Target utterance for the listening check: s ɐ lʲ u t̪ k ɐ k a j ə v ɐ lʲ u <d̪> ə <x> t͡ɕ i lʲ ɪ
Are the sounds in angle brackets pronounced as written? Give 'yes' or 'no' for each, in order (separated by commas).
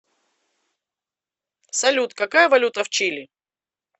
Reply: no, no